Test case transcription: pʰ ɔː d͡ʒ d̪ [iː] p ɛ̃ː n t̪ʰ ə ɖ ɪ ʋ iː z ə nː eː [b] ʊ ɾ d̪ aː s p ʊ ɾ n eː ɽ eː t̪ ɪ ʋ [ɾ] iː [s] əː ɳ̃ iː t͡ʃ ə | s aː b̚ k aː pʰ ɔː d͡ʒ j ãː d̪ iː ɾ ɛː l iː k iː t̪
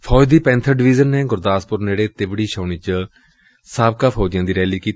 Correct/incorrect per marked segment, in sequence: correct, incorrect: ɡ, incorrect: ɽ, incorrect: ʃ

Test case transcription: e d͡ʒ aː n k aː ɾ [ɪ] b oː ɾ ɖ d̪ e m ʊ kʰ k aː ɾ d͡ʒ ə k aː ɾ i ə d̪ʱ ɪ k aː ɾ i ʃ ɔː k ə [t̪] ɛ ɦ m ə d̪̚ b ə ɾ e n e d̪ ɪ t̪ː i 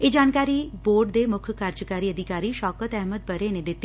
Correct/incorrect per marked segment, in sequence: incorrect: i, correct

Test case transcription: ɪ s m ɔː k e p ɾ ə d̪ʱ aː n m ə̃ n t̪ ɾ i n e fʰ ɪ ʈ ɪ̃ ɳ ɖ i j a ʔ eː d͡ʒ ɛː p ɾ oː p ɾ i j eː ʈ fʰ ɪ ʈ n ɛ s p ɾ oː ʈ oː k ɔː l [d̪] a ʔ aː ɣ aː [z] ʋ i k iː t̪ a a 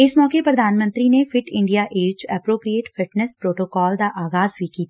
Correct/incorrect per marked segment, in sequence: correct, correct

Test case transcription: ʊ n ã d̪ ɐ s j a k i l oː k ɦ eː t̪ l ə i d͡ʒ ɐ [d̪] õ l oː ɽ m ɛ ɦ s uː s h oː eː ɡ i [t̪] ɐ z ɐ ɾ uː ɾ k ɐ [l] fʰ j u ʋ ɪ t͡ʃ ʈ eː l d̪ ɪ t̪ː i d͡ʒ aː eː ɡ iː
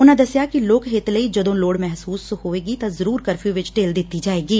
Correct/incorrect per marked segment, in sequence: correct, correct, incorrect: ɾ

